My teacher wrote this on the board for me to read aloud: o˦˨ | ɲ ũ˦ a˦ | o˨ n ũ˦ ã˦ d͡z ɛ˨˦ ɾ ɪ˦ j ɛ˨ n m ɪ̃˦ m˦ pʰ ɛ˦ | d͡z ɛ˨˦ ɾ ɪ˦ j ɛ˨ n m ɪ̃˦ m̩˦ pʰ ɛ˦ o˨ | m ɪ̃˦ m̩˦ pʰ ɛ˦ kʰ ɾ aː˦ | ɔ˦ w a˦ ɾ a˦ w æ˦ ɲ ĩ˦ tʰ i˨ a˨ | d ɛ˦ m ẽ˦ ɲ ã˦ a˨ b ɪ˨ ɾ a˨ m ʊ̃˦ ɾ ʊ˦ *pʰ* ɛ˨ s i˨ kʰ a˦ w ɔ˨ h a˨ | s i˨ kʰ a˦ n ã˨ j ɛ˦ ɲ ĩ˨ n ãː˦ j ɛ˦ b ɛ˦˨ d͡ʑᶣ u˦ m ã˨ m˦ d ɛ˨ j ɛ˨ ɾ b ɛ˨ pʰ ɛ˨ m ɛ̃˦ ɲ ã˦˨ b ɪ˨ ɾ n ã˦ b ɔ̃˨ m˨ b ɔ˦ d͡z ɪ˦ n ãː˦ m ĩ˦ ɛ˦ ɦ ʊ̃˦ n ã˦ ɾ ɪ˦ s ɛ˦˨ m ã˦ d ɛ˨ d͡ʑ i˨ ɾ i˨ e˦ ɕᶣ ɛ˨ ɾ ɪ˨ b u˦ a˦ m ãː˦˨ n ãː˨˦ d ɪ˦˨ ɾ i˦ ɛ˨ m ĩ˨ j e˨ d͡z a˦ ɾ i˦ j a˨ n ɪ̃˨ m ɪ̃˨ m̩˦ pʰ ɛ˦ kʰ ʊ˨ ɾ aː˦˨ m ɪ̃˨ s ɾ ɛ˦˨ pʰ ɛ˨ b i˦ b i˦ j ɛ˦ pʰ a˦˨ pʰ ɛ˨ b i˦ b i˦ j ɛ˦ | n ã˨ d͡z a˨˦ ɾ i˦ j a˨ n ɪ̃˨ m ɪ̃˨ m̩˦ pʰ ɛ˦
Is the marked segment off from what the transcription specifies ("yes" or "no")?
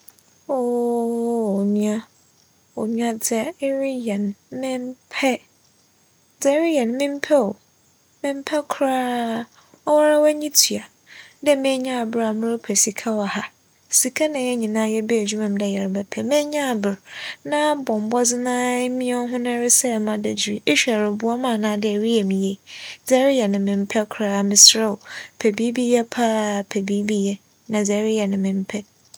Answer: no